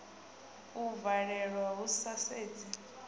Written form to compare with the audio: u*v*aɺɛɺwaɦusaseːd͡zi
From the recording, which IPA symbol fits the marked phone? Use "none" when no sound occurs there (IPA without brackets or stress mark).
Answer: v